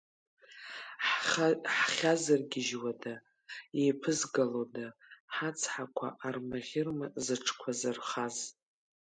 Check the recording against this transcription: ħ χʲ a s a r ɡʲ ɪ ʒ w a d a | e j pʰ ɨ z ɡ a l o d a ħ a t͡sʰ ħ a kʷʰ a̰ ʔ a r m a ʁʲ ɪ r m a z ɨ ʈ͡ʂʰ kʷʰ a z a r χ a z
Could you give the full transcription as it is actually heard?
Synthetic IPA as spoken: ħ χʲ a z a r ɡʲ ɪ ʒ w a d a | e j pʰ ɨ z ɡ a l o d a ħ a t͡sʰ ħ a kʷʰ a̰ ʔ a r m a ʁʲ ɪ r m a z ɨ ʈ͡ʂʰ kʷʰ a z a r χ a z